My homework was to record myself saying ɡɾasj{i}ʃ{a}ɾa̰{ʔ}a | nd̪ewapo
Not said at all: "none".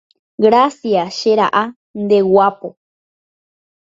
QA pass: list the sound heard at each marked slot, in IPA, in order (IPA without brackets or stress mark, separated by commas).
a, e, ʔ